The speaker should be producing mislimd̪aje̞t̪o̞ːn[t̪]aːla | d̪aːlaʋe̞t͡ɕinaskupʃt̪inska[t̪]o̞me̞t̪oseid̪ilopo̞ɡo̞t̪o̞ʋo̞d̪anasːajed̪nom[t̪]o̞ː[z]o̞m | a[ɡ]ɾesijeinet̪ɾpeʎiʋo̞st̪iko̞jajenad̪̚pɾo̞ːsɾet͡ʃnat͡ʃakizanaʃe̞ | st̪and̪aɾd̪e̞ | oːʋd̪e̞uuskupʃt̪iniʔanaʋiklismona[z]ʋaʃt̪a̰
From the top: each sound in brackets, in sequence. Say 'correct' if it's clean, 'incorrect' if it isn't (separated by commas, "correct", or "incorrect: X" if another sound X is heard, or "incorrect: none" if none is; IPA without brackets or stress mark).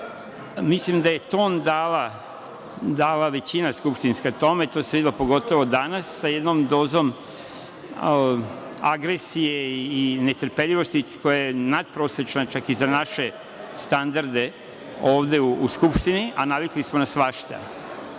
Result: incorrect: d̪, correct, incorrect: d̪, correct, correct, incorrect: s